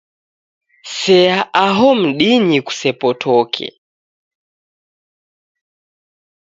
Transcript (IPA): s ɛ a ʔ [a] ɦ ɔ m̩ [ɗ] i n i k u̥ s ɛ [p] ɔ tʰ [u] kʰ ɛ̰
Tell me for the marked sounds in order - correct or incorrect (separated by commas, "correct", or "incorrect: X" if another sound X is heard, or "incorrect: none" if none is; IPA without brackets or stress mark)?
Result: correct, correct, correct, incorrect: ɔ